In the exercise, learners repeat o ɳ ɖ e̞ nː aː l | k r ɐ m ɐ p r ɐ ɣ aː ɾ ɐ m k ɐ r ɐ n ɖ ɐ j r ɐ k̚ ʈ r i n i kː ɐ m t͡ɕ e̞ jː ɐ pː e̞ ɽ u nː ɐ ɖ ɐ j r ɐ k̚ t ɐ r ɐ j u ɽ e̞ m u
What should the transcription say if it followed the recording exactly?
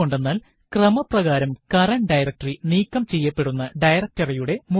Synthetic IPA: o ɳ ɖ e̞ nː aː l | k r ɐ m ɐ p r ɐ ɣ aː ɾ ɐ m k ɐ r ɐ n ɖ ɐ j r ɐ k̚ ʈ r i n iː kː ɐ m t͡ɕ e̞ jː ɐ pː e̞ ɽ u nː ɐ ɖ ɐ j r ɐ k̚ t ɐ r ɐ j u ɽ e̞ m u